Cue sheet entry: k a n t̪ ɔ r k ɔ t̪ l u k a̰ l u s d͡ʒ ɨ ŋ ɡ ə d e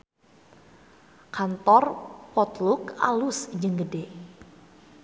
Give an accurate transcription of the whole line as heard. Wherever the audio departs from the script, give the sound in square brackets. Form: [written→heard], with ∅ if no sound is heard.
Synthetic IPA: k a n t̪ ɔ r [k→p] ɔ t̪ l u k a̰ l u s d͡ʒ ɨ ŋ ɡ ə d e